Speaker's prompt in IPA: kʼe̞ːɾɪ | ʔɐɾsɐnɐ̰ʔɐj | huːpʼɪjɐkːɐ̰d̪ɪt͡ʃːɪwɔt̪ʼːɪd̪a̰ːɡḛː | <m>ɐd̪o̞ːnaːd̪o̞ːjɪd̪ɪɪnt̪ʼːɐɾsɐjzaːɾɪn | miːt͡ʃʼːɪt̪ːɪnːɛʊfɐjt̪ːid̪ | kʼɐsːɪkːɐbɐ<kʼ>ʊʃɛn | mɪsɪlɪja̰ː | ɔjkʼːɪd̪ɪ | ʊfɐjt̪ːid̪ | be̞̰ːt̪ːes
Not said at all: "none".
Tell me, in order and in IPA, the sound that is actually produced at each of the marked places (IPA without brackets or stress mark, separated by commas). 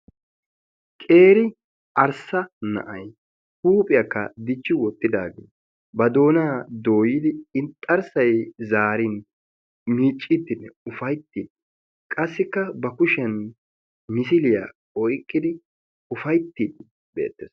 b, k